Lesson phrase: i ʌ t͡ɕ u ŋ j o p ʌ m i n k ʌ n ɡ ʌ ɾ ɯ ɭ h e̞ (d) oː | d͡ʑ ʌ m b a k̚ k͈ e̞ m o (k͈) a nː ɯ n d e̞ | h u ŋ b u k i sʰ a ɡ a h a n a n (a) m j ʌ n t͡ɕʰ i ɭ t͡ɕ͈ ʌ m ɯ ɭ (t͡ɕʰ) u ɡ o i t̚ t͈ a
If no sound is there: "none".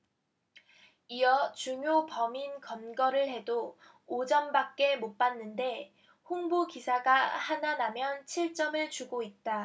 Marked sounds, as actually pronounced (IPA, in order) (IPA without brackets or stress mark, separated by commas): d, p͈, a, t͡ɕ